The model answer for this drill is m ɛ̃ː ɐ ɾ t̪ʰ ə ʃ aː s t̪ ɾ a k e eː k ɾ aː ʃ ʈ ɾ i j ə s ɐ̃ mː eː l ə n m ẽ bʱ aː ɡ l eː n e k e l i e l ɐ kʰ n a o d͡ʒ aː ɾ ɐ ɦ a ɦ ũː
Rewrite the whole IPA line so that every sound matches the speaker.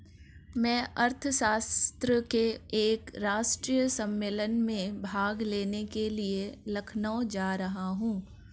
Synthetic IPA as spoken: m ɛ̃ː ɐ ɾ t̪ʰ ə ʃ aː s t̪ ɾ ə k e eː k ɾ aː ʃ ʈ ɾ i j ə s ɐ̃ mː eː l ə n m ẽ bʱ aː ɡ l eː n e k e l i e l ɐ kʰ n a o d͡ʒ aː ɾ ɐ ɦ a ɦ ũː